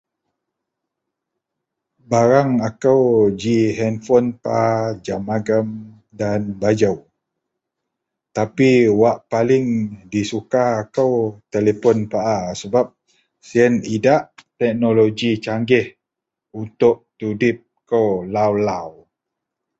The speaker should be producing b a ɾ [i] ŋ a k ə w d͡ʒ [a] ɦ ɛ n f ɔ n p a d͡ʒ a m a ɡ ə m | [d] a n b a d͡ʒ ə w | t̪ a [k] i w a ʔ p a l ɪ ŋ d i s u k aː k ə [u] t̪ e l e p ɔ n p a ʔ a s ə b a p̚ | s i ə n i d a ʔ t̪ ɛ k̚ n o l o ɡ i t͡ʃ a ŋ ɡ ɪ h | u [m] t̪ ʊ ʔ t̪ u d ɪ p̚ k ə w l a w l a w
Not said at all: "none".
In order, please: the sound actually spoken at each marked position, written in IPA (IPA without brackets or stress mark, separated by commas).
a, i, d, p, w, n